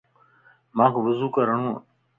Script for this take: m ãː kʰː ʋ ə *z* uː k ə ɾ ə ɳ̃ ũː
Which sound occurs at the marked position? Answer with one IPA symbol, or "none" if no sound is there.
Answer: z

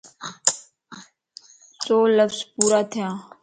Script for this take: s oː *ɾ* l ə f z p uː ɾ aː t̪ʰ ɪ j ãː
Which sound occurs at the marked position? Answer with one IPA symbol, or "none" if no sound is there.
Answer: none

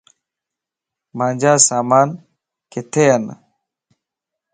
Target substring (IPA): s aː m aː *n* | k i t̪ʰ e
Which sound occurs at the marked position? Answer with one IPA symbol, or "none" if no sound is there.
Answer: n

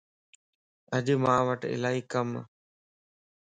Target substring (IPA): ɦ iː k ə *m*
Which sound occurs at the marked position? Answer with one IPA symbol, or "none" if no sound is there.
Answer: m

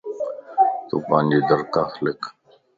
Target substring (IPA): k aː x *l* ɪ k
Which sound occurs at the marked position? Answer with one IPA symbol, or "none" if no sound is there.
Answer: l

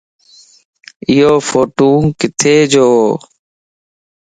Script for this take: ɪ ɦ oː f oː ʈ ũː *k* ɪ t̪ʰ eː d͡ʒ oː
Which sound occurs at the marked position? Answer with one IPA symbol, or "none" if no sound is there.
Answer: k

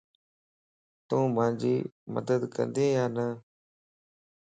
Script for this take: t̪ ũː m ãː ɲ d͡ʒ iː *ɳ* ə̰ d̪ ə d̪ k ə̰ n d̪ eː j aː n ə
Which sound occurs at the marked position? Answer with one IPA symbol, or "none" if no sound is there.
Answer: m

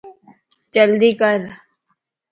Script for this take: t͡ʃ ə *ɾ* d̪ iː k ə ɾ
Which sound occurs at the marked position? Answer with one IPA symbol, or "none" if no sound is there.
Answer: l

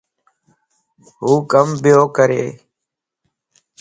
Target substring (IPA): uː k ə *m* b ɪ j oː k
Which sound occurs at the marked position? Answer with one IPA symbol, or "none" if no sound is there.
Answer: m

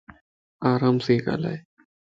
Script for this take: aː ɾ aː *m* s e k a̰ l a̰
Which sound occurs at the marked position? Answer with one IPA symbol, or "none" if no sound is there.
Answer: m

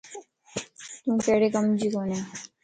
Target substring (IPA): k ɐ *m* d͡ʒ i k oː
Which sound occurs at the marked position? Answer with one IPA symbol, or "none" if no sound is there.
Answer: m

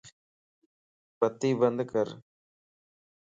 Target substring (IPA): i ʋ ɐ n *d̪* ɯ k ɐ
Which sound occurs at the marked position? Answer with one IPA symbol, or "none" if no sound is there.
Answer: d̪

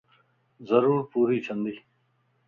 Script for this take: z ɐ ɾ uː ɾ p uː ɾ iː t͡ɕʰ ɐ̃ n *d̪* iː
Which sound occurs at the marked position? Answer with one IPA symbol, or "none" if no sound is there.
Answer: d̪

